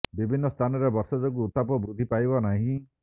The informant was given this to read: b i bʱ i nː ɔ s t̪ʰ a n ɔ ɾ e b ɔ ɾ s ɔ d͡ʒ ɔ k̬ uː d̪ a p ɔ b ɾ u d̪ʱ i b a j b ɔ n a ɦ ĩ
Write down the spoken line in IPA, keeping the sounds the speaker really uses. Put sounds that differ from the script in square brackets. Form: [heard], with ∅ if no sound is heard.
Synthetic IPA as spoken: b i bʱ i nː ɔ s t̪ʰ a n ɔ ɾ e b ɔ ɾ s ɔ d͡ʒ ɔ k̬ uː [t̪] a p ɔ b ɾ u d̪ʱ i [p] a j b ɔ n a ɦ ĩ